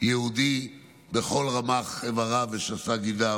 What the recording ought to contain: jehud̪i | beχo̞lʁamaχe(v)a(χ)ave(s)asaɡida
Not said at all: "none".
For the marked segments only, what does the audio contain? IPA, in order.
v, ʁ, ʃ

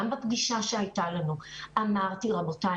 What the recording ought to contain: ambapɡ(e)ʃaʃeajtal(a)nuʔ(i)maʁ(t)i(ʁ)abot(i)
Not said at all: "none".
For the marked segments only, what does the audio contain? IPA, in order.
i, a, a, t, ʁ, a

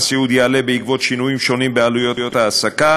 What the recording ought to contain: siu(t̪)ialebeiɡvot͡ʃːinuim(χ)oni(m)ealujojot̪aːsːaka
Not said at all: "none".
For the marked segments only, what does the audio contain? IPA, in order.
d̪, ʃ, b

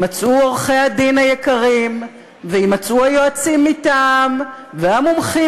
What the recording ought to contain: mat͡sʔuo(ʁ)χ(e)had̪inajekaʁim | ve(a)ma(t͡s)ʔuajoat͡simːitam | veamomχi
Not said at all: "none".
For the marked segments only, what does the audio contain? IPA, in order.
ʁ, e, i, t͡s

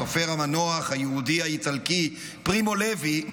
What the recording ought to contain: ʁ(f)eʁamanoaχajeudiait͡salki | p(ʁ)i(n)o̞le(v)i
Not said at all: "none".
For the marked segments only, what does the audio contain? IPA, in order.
f, ʁ, m, v

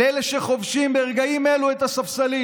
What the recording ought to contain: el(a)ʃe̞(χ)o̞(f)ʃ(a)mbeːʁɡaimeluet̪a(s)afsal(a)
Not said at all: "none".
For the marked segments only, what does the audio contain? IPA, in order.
e, χ, v, i, s, i

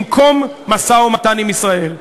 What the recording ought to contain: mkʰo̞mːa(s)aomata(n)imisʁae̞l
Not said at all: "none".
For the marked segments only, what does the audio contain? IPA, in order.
s, n

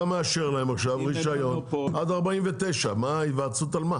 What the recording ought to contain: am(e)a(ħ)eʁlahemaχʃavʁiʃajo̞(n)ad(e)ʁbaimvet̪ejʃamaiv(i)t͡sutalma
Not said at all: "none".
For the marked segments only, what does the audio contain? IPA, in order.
e, ʃ, n, a, a

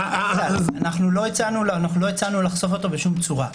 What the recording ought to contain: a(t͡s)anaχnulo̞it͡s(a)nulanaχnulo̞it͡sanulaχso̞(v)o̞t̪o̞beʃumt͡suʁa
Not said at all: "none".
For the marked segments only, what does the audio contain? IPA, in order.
none, a, f

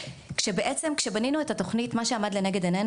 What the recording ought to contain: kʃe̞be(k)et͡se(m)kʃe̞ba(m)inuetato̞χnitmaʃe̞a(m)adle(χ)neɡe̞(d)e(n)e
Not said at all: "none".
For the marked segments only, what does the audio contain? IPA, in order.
ʔ, m, n, m, none, d, n

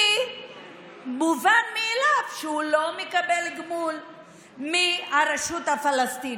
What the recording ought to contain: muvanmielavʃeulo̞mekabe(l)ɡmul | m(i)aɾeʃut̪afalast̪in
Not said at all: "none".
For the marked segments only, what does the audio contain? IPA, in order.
l, i

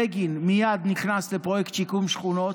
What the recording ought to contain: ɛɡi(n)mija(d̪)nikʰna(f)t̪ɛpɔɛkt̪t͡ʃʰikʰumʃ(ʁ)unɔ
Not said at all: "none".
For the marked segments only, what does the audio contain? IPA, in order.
n, d̪, s, χ

